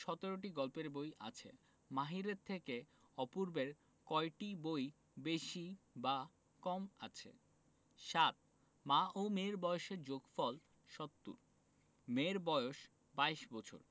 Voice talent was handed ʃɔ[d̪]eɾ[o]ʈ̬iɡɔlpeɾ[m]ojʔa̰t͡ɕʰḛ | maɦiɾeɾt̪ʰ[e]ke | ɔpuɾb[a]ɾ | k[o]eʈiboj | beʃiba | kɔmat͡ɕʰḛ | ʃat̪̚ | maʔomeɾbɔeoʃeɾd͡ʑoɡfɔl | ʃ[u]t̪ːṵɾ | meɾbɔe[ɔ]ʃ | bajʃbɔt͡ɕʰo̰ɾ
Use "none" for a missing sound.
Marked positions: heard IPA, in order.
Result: t̪, o, b, e, e, ɔ, ɔ, o

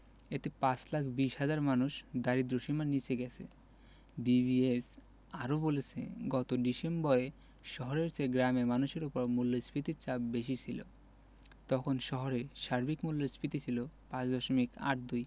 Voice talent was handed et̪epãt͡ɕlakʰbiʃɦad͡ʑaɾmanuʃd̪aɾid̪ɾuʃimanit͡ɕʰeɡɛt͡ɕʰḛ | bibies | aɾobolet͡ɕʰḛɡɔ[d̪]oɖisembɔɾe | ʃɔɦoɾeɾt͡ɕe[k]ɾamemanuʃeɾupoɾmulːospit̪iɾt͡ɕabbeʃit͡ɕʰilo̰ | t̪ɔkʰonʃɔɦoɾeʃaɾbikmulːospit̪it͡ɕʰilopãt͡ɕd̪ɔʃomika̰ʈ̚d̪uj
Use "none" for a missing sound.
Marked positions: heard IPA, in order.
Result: t̪, ɡ

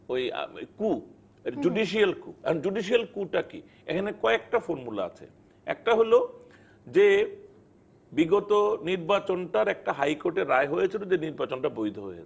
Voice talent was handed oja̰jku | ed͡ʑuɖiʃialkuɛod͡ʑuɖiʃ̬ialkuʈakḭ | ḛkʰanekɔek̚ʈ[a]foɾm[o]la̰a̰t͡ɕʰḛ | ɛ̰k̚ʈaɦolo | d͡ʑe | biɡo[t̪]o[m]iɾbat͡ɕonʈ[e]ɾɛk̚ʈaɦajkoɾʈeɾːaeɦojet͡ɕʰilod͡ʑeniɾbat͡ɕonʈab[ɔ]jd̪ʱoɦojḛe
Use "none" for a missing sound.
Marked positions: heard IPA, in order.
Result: a, u, t̪, n, a, o

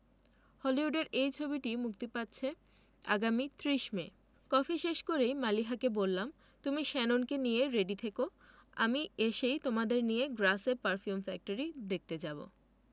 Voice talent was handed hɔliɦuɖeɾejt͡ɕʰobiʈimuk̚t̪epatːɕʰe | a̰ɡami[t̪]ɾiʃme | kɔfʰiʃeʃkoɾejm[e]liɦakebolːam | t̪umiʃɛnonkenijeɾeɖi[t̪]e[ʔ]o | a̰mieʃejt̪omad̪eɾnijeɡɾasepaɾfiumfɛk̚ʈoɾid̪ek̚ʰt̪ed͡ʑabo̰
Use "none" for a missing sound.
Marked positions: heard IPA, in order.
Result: t̪, a, t̪ʰ, k

